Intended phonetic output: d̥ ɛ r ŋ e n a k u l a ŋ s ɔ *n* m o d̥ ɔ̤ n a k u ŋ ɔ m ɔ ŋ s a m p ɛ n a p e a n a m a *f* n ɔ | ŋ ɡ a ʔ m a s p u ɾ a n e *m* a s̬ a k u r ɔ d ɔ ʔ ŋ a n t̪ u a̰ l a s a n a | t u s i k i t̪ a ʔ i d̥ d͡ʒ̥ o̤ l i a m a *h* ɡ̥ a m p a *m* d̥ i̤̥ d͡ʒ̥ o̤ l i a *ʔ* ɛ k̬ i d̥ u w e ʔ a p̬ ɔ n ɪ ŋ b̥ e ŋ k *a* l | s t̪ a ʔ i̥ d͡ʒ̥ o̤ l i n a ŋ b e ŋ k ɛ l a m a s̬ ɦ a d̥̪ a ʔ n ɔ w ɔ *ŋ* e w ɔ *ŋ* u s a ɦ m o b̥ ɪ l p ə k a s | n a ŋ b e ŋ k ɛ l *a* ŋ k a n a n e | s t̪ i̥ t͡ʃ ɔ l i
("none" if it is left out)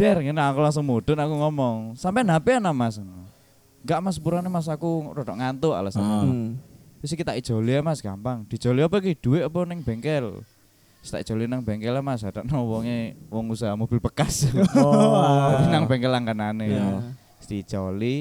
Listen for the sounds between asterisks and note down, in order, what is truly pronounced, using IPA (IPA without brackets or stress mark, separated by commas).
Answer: ŋ, s, m, s, ŋ, p, ɛ, ŋ, ŋ, a